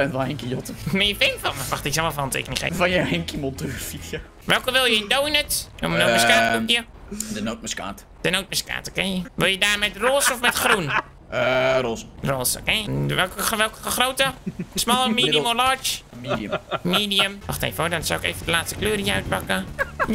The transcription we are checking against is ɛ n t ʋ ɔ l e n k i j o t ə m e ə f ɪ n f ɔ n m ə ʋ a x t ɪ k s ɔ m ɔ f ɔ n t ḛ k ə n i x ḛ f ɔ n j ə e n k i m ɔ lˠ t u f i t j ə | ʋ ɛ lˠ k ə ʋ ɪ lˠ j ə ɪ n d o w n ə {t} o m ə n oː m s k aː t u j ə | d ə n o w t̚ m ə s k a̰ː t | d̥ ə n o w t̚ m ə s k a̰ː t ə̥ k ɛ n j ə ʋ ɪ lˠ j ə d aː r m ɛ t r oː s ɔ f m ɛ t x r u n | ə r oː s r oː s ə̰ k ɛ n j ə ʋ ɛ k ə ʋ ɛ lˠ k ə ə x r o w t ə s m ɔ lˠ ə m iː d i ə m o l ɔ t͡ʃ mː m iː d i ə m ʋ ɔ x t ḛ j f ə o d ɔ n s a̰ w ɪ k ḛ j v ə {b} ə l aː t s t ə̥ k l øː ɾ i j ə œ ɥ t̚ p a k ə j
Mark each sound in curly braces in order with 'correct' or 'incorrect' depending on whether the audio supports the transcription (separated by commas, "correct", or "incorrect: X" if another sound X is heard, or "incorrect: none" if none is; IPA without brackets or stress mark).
correct, incorrect: d